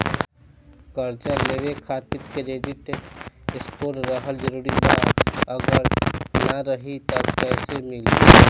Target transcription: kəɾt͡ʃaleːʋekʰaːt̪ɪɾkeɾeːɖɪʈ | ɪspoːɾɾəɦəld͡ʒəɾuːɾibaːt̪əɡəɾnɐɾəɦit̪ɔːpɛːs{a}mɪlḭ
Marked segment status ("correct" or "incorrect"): incorrect